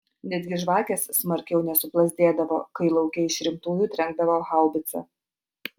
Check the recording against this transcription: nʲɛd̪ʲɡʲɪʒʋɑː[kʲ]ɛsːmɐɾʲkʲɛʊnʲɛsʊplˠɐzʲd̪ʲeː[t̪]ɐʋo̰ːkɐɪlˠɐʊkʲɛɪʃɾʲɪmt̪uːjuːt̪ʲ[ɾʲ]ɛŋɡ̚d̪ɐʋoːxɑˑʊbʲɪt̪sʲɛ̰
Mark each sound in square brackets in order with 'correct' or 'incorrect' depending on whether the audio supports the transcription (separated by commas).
correct, incorrect, correct